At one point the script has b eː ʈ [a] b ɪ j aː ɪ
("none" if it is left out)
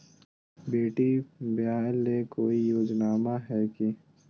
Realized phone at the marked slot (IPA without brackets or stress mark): i